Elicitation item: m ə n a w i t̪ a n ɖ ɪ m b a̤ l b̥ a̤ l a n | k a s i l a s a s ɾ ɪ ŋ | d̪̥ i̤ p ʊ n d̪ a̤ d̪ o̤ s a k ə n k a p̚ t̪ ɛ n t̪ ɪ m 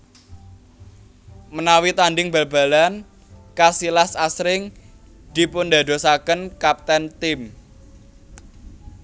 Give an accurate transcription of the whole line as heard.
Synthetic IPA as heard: m ə n a w i t̪ a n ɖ ɪ ŋ b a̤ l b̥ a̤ l a n | k a s i l a s a s ɾ ɪ ŋ | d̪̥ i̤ p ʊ n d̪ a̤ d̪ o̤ s a k ə n k a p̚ t̪ ɛ n t̪ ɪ m